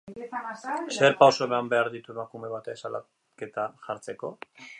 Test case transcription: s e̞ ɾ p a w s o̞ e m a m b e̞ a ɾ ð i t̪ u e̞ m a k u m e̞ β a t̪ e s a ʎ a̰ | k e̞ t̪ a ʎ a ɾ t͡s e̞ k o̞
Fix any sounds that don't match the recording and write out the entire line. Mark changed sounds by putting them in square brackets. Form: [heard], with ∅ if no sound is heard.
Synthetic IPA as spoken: s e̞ ɾ p a w s o̞ e m a m b e̞ a ɾ ð i t̪ u e̞ m a k u m e̞ β a t̪ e s a [l] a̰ | k e̞ t̪ a [ʝ] a ɾ t͡s e̞ k o̞